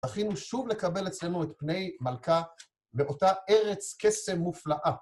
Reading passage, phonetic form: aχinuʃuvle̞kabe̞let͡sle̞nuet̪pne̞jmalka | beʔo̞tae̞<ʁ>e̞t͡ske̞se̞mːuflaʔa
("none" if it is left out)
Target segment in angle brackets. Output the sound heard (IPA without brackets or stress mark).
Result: ʁ